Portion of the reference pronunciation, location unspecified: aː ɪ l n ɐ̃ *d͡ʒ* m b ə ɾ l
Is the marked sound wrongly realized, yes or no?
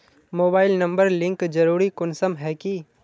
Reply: yes